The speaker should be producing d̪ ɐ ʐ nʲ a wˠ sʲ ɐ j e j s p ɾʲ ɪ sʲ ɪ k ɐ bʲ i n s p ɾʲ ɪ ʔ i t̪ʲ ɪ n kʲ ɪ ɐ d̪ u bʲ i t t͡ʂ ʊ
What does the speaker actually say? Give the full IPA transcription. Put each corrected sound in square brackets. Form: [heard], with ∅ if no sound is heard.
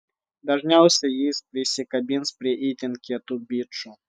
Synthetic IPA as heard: d̪ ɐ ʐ nʲ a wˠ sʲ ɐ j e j s p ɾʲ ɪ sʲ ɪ k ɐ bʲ i n s p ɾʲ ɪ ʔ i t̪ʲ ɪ n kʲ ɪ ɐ [t̪] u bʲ i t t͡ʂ ʊ